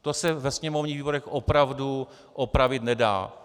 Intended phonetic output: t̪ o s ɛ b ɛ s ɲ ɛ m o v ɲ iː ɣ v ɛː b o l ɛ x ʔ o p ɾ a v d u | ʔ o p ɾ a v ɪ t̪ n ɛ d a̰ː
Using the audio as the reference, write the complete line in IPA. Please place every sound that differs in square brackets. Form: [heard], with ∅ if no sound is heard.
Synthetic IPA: t̪ o s ɛ [v] ɛ s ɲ ɛ m o v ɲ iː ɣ v [iː] b o [ɾ] ɛ x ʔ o p ɾ a v d u | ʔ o p ɾ a v ɪ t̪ n ɛ d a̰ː